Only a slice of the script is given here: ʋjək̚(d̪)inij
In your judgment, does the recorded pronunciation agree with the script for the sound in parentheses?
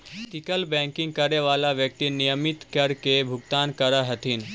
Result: no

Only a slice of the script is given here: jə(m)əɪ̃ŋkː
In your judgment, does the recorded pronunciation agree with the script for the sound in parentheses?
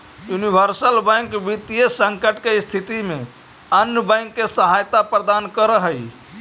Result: no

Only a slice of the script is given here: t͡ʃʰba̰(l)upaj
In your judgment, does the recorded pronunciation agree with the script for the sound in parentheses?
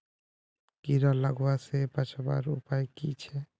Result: no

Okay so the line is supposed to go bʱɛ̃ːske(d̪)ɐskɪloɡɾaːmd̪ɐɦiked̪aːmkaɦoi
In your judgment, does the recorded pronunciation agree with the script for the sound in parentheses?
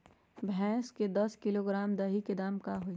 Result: yes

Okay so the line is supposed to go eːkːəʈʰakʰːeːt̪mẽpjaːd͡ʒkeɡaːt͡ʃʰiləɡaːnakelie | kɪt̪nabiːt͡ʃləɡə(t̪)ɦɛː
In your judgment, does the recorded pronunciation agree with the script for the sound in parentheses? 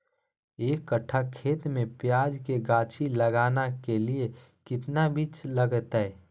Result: yes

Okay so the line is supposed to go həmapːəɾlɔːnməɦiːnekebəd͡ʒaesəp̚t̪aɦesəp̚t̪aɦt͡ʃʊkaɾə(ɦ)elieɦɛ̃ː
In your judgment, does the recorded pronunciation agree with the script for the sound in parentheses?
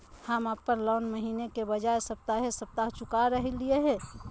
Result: yes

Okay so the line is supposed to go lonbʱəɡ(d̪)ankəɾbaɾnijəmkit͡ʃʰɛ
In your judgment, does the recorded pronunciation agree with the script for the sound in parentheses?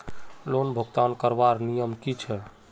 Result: no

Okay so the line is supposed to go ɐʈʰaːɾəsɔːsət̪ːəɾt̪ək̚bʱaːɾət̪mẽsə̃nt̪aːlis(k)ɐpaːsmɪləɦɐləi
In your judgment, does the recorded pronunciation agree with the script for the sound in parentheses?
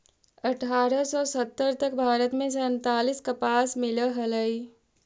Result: yes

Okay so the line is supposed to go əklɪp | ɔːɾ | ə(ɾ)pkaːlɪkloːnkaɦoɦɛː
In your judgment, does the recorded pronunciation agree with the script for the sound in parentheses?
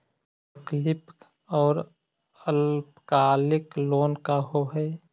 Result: no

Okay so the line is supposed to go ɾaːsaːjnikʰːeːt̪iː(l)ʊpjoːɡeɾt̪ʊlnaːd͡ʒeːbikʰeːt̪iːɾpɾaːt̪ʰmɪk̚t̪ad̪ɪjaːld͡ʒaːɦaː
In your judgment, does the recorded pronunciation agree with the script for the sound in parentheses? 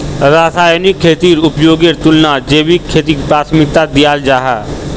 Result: no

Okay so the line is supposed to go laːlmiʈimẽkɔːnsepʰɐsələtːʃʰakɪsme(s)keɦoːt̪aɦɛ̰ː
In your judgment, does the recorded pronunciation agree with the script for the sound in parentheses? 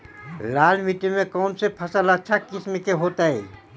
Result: no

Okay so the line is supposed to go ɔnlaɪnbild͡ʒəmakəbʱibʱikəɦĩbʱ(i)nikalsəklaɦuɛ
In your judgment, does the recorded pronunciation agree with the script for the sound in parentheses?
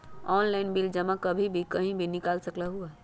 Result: yes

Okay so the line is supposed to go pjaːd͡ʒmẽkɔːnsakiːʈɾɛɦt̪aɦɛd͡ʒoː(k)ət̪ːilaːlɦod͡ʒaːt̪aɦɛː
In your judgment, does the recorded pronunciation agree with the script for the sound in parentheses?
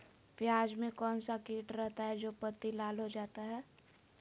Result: no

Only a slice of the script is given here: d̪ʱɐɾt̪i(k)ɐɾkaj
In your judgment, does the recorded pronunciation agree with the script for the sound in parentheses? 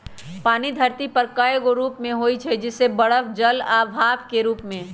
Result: no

